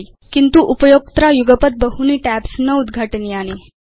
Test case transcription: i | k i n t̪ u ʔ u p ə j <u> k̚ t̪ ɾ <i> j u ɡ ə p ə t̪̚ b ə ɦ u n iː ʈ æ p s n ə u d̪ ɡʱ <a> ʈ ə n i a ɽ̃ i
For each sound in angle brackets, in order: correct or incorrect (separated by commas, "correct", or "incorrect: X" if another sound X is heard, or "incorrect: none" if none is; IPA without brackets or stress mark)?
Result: incorrect: o, incorrect: a, correct